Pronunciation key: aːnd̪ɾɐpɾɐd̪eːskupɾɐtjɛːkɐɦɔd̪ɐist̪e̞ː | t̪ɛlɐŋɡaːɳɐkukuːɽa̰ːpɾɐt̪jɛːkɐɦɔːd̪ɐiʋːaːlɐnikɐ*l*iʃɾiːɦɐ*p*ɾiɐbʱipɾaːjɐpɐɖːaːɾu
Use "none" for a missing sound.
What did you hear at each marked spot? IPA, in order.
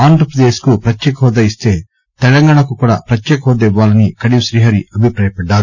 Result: ɽ, none

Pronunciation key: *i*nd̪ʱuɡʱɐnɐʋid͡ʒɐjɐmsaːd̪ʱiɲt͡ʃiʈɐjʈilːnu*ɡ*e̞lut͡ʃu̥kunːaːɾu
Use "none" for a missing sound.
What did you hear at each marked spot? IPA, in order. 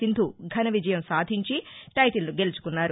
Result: i, ɡ

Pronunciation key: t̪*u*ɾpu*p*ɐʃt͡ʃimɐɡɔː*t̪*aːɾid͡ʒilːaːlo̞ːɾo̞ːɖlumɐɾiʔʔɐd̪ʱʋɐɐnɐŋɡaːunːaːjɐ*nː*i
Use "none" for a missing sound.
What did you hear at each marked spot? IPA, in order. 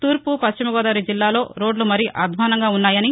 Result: uː, p, d̪, n

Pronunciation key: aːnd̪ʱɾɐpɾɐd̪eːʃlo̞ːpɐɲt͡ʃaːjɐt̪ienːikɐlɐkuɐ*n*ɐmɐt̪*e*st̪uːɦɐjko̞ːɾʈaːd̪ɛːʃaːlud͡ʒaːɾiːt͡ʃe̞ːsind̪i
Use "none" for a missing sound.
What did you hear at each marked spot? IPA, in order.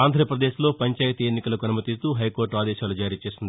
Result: n, i

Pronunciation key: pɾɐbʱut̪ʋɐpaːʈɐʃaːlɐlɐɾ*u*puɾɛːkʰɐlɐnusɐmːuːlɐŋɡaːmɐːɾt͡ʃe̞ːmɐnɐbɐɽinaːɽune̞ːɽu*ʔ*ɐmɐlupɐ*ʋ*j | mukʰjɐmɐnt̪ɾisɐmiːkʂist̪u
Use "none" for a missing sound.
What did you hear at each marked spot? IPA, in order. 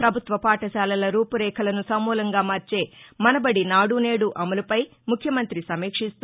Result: uː, ʔ, none

